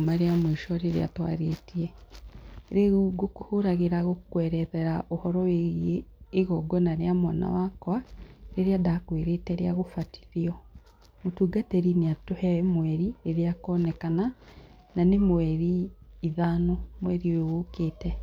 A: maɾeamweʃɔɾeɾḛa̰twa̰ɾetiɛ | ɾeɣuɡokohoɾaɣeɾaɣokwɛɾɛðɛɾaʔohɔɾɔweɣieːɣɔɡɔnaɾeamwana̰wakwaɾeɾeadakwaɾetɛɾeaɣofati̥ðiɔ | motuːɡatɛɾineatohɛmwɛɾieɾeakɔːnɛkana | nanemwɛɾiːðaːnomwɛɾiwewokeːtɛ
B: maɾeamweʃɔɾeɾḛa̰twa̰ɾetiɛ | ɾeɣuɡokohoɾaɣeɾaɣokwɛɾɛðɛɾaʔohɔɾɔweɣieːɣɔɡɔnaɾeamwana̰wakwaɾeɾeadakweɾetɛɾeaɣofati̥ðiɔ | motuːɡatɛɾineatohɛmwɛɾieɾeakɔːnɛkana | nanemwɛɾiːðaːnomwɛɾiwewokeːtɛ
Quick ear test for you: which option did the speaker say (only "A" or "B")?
B